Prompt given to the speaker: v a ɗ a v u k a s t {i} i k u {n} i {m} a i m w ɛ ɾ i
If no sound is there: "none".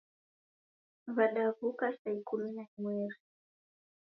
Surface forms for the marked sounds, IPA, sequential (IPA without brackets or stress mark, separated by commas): a, m, n